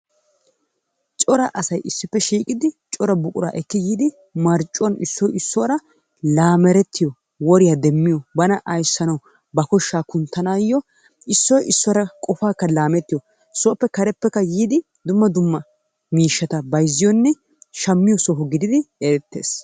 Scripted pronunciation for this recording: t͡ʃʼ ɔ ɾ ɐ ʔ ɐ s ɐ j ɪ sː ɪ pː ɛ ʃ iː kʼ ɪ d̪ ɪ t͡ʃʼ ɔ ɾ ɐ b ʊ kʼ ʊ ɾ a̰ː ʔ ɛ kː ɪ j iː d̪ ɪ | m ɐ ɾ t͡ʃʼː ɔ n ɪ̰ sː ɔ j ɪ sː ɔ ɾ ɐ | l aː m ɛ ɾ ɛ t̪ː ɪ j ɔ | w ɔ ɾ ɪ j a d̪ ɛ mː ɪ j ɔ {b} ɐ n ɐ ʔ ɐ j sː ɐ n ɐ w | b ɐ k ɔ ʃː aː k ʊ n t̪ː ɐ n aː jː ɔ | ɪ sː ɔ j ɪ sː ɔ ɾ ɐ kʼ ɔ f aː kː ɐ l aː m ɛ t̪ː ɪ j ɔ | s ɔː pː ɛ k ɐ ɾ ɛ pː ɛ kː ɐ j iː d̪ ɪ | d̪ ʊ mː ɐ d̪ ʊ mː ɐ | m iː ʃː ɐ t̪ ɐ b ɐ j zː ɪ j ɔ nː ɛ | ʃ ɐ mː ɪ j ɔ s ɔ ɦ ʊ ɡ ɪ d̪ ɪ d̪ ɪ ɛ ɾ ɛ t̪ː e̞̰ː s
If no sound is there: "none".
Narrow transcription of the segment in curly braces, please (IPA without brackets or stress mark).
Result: b